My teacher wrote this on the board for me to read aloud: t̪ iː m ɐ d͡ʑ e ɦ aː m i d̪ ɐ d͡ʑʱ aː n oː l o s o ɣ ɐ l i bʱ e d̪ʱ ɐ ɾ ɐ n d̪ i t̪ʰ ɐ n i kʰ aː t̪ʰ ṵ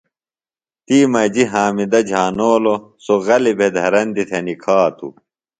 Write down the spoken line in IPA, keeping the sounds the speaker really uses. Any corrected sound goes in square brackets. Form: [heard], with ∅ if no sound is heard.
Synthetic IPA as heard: t̪ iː m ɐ d͡ʑ [i] ɦ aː m i d̪ ɐ d͡ʑʱ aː n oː l o s o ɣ ɐ l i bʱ e d̪ʱ ɐ ɾ ɐ n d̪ i t̪ʰ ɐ n i kʰ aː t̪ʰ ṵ